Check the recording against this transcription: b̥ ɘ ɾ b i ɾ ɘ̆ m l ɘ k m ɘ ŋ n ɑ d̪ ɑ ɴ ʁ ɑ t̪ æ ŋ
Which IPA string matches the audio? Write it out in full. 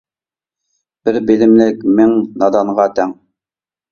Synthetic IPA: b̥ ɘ ɾ b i l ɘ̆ m l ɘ k m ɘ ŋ n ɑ d̪ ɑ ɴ ʁ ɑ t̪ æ ŋ